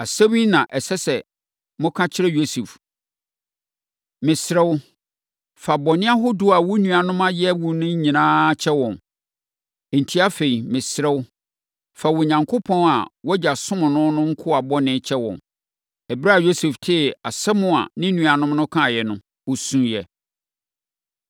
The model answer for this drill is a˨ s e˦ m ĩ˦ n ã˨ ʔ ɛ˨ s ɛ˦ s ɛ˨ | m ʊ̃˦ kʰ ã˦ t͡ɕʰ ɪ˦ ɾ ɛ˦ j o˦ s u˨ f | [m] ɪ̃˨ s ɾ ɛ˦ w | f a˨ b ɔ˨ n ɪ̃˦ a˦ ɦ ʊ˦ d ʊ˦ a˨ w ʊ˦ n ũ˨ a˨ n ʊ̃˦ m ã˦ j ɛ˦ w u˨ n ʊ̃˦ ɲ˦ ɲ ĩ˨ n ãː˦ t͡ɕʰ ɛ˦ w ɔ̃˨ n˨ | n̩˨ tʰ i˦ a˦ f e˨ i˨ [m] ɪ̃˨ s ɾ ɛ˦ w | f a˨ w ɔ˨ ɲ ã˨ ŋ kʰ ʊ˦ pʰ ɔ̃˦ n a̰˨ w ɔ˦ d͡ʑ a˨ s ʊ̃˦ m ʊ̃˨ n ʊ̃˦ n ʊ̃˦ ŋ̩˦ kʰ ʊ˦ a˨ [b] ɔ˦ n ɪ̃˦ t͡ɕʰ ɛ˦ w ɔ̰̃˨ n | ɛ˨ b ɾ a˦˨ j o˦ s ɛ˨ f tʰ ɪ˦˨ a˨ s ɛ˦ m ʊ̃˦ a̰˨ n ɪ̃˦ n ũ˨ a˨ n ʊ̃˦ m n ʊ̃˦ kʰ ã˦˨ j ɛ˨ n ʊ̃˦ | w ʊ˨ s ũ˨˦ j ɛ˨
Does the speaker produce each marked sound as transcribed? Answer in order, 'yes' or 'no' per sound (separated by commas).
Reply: yes, yes, yes